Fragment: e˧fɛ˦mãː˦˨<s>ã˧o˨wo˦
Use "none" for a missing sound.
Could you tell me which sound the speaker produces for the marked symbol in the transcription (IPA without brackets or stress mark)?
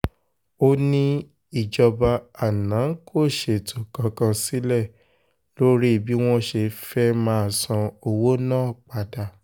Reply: s